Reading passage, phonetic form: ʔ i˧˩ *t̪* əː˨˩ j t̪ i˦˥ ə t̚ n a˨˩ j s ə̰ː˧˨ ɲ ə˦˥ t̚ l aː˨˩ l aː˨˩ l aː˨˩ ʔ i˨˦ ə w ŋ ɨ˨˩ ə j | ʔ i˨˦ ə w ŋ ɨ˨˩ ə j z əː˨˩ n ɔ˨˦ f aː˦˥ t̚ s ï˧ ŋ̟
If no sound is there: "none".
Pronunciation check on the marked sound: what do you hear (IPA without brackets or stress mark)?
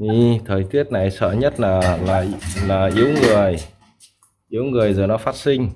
t̪ʰ